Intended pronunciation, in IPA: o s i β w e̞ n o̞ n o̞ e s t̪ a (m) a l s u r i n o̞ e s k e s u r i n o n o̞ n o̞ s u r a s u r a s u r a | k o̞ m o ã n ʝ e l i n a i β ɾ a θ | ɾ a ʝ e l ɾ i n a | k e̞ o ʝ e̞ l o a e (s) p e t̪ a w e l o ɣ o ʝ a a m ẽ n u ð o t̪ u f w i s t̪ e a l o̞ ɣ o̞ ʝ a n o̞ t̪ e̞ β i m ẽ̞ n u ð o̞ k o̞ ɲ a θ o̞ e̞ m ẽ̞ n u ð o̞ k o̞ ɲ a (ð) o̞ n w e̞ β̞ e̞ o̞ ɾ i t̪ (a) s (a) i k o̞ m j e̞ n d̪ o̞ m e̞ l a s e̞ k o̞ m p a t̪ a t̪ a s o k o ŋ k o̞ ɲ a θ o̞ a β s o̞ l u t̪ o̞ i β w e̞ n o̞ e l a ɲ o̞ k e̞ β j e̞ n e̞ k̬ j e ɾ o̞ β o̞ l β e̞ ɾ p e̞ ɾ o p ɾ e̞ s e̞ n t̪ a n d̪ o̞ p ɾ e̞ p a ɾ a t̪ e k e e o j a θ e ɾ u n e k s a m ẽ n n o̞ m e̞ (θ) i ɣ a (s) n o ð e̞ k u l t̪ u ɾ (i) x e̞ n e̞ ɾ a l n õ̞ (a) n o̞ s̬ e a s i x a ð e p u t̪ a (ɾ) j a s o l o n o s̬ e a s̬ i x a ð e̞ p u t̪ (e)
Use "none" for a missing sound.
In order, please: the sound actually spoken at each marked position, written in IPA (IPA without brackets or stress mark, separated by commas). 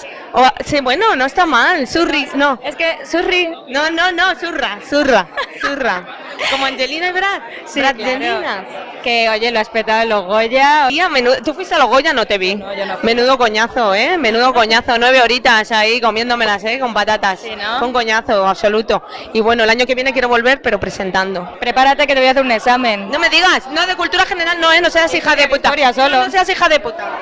m, s, θ, a, a, ð, s, a, e, ɾ, a